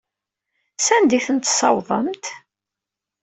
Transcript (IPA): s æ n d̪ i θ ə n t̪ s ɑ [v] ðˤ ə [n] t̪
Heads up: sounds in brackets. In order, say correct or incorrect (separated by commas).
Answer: incorrect, incorrect